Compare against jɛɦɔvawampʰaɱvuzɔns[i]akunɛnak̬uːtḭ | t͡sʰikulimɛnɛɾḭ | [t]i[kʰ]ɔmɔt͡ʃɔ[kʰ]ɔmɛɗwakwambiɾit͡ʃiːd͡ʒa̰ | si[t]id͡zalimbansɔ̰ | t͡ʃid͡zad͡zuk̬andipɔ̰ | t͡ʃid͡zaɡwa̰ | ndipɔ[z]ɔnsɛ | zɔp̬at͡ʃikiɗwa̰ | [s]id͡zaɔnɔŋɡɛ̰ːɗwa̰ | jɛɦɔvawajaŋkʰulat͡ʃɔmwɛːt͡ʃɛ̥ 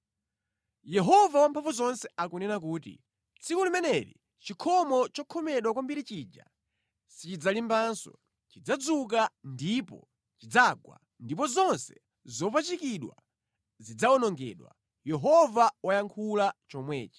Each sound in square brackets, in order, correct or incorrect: incorrect: ɛ, incorrect: t͡ʃ, correct, correct, incorrect: t͡ʃ, correct, incorrect: z

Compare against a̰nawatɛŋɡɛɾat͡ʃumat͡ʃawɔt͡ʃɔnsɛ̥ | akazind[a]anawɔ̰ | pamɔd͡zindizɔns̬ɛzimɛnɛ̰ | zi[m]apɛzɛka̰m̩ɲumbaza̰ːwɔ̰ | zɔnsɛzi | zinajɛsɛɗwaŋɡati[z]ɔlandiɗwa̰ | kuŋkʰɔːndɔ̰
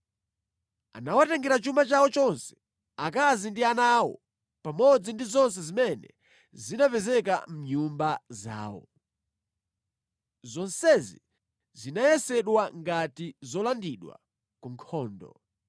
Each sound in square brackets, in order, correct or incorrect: incorrect: i, incorrect: n, correct

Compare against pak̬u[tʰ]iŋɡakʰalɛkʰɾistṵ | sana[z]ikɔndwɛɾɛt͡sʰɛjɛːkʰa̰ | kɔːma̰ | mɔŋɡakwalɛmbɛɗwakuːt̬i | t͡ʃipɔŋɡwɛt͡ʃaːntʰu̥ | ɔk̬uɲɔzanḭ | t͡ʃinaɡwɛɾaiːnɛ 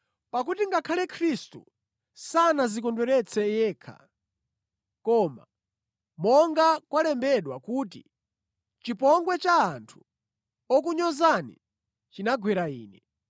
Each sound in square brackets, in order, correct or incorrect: incorrect: t, correct

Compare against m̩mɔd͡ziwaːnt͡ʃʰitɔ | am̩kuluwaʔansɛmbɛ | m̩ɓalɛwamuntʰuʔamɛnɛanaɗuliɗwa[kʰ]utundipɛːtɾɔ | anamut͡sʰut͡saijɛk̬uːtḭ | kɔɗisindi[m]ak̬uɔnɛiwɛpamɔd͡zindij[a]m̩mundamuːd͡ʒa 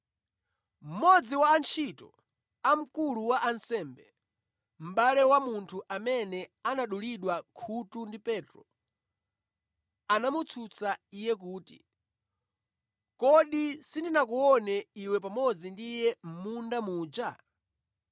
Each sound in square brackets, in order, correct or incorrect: correct, incorrect: n, incorrect: ɛ

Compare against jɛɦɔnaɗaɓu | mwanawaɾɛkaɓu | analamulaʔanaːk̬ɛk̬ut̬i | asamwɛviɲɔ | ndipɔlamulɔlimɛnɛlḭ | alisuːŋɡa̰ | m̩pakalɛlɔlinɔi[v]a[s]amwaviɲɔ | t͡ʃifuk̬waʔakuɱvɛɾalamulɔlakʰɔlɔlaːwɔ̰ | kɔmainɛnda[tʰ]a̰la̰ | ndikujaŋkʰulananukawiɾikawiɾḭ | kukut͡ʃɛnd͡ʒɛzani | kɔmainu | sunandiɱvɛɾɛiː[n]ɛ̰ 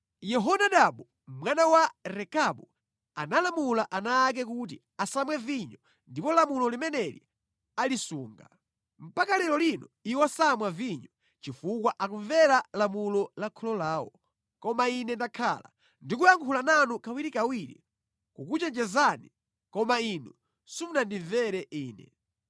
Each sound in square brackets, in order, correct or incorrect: incorrect: w, correct, incorrect: kʰ, correct

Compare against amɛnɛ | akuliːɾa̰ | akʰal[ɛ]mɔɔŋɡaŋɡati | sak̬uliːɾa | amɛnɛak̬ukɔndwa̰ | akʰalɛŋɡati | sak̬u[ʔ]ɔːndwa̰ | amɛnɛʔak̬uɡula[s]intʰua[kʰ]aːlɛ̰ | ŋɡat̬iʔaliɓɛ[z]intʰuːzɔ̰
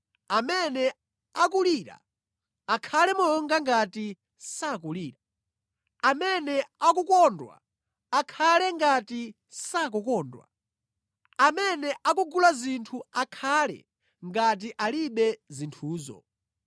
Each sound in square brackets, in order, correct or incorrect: correct, incorrect: k, incorrect: z, correct, correct

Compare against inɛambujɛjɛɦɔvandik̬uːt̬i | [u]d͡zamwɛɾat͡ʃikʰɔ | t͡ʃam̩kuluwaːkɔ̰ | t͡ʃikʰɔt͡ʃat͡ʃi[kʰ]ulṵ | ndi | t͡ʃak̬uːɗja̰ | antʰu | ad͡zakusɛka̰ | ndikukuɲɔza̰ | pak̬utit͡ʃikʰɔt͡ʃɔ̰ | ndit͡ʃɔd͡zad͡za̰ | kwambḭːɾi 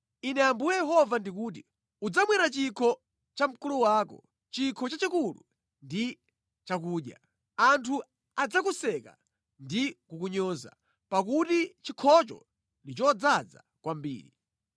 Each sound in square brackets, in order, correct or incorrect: correct, incorrect: k

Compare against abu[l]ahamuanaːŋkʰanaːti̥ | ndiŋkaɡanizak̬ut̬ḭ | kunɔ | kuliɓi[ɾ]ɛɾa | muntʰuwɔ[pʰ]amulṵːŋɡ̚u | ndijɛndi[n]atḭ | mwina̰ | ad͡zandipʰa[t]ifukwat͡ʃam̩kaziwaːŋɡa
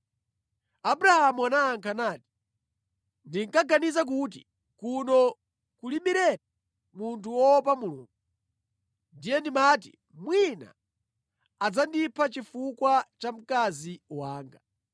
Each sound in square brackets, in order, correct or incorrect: incorrect: ɾ, correct, incorrect: p, incorrect: m, incorrect: t͡ʃ

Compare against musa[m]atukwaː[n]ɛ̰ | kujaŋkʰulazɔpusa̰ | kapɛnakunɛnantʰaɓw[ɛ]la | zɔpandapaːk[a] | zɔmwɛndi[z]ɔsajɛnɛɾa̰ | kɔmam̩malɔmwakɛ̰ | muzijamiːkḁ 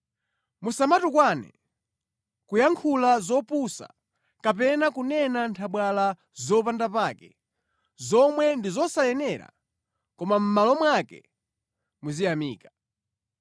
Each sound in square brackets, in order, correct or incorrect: correct, correct, incorrect: a, incorrect: ɛ, correct

